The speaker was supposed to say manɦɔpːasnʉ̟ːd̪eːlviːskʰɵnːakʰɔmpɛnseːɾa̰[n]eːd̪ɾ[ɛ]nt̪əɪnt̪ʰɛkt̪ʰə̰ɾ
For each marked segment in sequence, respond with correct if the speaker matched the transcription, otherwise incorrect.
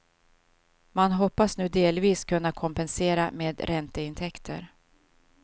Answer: incorrect: m, correct

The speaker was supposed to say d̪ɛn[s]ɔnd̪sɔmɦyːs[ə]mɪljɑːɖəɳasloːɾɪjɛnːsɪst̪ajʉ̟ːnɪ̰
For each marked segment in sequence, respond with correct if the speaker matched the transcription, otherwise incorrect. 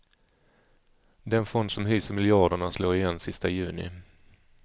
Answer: incorrect: f, correct

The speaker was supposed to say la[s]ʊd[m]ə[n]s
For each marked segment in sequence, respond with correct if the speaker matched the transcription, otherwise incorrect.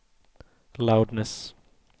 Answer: incorrect: none, incorrect: n, incorrect: none

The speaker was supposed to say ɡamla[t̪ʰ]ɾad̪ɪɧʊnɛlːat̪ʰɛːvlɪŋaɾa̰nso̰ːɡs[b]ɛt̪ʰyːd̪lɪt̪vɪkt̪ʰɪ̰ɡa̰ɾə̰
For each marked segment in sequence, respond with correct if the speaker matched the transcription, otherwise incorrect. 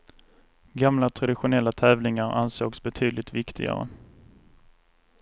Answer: correct, correct

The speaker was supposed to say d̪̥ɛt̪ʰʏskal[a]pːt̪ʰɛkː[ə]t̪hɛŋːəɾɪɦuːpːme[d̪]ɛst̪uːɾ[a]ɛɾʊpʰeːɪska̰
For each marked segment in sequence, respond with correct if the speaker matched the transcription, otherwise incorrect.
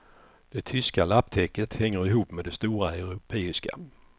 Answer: correct, correct, correct, correct

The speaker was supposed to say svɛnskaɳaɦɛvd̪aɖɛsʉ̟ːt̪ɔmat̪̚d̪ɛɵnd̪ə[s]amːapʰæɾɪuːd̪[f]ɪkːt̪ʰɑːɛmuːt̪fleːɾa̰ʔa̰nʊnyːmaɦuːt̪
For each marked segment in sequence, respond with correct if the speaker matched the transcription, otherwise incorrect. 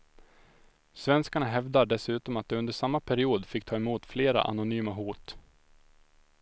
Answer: incorrect: ʂ, correct

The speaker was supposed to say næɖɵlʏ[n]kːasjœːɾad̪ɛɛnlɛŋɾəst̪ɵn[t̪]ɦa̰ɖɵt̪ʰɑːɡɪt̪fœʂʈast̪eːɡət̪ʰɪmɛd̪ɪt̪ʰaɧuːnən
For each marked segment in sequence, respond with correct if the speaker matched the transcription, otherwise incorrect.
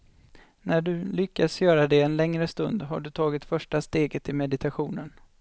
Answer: incorrect: none, incorrect: d̪

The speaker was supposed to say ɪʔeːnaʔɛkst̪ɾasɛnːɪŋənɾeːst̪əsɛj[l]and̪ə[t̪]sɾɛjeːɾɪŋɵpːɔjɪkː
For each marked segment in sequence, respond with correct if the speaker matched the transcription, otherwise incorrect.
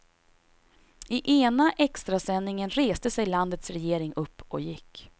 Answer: correct, correct

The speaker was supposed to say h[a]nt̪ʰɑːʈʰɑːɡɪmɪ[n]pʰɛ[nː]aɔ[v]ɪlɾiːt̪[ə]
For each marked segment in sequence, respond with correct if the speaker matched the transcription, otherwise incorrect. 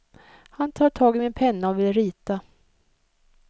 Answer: correct, correct, correct, correct, incorrect: a

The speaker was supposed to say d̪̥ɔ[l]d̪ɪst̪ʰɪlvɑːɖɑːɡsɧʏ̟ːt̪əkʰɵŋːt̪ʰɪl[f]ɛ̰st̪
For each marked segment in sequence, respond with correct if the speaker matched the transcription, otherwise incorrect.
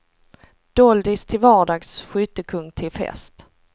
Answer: correct, correct

